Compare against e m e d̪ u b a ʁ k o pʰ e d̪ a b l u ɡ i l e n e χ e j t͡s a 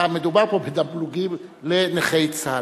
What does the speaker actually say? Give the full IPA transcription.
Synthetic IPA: a m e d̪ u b a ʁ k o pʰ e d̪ a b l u ɡ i l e n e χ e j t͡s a